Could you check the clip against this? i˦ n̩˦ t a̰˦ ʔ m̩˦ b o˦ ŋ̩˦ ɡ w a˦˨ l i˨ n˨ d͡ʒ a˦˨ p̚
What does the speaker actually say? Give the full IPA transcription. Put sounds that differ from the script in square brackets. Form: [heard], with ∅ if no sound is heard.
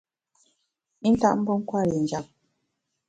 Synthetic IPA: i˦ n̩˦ t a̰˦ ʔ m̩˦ b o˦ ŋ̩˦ [k] w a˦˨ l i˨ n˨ d͡ʒ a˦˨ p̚